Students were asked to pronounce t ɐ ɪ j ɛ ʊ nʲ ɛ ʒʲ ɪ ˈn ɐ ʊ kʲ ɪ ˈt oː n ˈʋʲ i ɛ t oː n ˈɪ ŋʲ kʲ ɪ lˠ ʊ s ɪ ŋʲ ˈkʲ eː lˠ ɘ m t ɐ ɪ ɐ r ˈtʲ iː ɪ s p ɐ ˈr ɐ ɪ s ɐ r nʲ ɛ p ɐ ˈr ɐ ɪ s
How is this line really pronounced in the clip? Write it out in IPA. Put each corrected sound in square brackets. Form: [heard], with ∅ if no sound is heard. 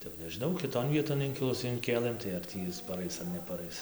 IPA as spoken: t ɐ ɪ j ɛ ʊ nʲ ɛ ʒʲ ɪ ˈn ɐ ʊ kʲ ɪ ˈt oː n ˈʋʲ i ɛ t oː n ˈɪ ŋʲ kʲ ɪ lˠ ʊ s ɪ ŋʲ ˈkʲ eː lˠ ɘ m t ɐ ɪ ɐ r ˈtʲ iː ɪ s p ɐ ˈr ɐ ɪ s ɐ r nʲ ɛ p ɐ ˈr ɐ ɪ s